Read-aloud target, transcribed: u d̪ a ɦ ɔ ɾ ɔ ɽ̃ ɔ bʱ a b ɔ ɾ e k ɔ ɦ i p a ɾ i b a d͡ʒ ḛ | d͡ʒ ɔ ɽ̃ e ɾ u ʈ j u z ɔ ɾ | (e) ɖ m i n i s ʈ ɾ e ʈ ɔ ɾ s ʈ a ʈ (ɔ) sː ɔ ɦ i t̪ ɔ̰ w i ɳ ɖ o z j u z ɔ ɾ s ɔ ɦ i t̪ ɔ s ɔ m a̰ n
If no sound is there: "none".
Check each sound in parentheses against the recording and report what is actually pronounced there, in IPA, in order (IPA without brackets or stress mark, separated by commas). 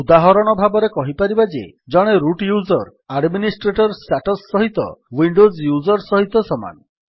a, ɔ